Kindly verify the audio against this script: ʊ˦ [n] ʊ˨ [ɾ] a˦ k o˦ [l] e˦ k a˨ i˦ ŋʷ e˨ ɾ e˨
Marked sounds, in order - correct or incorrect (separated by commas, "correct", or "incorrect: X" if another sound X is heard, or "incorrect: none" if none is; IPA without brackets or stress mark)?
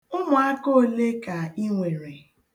incorrect: m, incorrect: none, correct